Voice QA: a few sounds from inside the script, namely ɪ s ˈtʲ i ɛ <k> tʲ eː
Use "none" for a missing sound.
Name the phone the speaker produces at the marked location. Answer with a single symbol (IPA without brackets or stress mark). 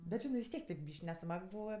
k